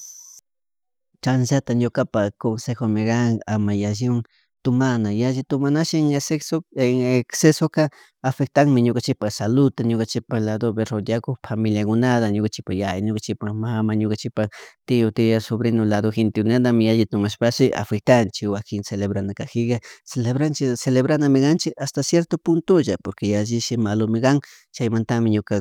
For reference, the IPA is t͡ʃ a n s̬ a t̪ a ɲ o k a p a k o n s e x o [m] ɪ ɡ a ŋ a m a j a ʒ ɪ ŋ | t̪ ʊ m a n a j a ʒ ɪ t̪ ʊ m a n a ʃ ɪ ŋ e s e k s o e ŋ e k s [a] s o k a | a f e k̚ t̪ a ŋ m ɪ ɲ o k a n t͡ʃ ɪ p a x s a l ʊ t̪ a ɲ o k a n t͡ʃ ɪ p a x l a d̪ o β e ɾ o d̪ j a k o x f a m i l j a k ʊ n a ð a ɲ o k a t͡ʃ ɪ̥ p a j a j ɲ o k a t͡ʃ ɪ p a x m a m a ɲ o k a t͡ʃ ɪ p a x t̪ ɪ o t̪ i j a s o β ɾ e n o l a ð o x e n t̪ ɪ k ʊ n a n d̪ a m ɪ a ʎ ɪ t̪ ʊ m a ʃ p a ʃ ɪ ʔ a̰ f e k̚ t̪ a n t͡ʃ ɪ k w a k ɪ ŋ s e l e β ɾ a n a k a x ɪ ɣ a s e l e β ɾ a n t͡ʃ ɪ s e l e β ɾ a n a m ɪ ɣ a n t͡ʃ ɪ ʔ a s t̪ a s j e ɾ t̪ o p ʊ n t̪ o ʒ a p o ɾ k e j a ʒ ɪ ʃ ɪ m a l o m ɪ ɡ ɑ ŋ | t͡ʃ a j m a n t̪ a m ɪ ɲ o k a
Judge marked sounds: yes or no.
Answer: yes, no

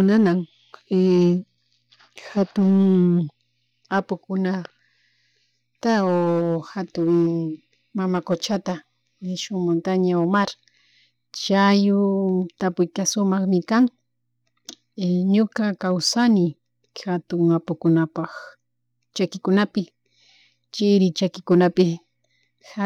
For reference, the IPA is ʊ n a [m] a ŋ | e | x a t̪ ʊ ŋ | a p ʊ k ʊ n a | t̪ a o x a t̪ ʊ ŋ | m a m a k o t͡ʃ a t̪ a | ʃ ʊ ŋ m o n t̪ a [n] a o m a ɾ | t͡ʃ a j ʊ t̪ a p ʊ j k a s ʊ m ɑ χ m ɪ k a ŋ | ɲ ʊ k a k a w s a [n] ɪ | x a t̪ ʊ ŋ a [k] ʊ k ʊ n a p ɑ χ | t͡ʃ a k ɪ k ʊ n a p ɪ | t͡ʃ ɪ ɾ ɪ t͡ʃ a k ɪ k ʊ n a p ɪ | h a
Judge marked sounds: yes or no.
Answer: no, no, yes, no

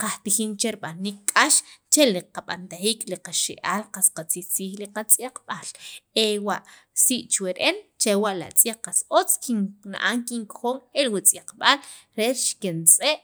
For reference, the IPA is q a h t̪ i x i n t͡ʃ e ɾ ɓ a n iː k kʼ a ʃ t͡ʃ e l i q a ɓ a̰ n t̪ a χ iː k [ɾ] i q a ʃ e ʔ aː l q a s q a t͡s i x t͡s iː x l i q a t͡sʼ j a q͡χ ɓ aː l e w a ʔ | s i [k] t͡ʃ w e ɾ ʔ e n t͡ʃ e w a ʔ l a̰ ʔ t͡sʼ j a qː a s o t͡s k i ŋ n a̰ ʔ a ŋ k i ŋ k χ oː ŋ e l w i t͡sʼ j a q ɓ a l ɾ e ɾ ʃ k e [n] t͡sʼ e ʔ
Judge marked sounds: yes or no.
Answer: no, no, yes

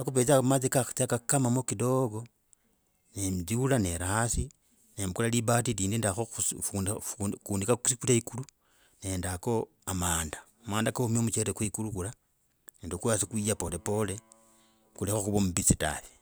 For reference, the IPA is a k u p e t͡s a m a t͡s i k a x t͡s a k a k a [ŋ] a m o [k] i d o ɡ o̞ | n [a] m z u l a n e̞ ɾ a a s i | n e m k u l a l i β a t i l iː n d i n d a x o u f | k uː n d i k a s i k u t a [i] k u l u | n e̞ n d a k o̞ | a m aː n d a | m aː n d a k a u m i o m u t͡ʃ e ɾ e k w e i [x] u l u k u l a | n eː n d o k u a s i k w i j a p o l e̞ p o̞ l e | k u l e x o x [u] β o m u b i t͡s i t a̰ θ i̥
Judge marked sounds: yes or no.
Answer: no, yes, no, yes, no, yes

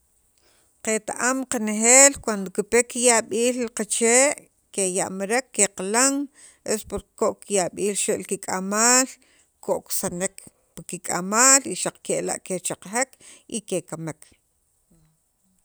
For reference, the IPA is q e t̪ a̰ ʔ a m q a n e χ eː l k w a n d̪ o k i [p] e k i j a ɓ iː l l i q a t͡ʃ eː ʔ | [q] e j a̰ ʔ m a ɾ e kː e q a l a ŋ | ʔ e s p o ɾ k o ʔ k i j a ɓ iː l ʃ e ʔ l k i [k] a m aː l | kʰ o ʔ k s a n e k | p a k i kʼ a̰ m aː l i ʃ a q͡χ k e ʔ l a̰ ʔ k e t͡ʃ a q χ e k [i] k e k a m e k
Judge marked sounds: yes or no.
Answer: yes, no, no, yes

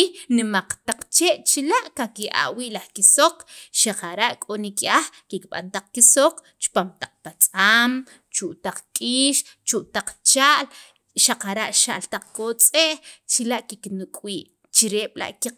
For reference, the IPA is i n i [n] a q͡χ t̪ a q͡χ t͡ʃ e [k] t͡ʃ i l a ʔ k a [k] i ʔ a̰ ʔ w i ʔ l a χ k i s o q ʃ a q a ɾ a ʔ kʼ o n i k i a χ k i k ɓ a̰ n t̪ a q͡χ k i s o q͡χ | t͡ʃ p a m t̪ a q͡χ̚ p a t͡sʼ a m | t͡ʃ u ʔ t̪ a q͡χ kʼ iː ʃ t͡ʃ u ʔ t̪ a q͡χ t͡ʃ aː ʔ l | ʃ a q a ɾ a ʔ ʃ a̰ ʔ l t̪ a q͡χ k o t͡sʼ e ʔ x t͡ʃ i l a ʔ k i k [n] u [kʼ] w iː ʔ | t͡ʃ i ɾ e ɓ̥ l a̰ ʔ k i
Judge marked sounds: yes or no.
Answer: no, no, yes, yes, yes

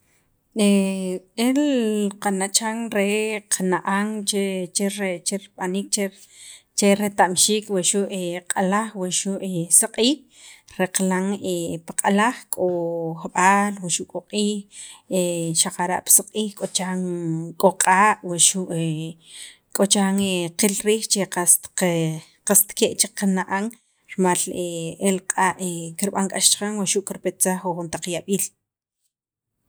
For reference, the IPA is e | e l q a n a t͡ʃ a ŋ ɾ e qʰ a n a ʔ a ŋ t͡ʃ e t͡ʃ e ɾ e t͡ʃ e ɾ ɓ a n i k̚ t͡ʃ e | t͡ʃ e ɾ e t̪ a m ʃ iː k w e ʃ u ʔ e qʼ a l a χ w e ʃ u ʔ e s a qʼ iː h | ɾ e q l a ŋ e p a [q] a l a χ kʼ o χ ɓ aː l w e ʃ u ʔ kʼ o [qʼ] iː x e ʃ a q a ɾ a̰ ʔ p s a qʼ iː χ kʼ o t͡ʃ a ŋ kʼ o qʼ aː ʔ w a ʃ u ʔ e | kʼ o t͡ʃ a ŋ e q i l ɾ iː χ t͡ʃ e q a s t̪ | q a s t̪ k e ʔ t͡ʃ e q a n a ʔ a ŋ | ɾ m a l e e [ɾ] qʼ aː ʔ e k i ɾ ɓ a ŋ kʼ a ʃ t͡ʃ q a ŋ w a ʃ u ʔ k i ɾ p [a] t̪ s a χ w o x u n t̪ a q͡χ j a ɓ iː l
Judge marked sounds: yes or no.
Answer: no, yes, no, no

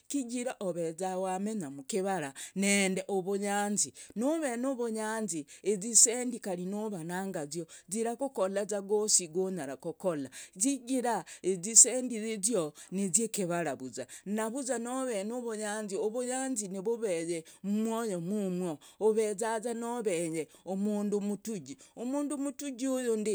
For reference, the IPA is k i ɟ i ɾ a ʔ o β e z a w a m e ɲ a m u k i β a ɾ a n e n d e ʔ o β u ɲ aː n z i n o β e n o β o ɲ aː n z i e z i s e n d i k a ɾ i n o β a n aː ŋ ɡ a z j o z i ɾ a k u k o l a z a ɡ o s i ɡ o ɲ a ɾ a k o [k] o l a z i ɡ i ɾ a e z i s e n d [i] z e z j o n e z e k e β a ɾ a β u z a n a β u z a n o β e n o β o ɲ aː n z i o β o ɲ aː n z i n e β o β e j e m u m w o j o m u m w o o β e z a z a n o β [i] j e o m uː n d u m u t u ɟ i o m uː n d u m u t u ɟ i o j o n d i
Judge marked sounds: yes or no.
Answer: yes, yes, no

